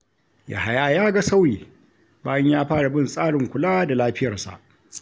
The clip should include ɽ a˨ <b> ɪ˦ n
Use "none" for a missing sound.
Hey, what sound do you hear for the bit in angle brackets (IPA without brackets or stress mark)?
b